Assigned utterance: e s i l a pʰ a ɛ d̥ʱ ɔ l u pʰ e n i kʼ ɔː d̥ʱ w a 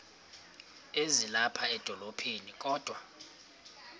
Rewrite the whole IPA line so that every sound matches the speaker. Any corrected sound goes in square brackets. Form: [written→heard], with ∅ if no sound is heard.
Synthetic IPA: e [s→z] i l a pʰ a ɛ d̥ʱ ɔ l [u→o] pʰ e n i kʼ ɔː d̥ʱ w a